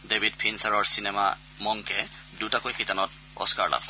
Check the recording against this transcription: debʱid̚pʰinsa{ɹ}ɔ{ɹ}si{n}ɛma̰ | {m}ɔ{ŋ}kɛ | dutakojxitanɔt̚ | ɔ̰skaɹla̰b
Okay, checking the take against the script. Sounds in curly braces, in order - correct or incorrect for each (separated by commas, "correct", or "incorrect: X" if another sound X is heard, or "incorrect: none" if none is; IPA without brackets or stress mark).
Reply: correct, correct, correct, correct, correct